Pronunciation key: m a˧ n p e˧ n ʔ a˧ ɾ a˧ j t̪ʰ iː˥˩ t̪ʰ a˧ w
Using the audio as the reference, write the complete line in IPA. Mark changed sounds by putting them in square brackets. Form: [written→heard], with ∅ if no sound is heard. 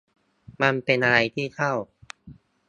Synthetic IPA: m a˧ n p e˧ n ʔ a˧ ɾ a˧ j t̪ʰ iː˥˩ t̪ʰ [a˧→a˥˩] w